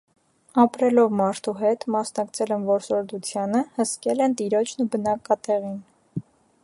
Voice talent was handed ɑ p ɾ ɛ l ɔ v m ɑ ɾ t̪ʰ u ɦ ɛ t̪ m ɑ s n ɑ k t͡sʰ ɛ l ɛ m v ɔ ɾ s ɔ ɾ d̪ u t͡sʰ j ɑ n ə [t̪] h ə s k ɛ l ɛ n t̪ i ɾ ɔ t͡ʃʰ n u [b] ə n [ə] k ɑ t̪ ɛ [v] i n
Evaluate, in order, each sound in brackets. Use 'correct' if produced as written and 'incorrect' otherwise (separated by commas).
incorrect, correct, incorrect, incorrect